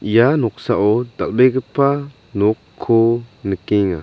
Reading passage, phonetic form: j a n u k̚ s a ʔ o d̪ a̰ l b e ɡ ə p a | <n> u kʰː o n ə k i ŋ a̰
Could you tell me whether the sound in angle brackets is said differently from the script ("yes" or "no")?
no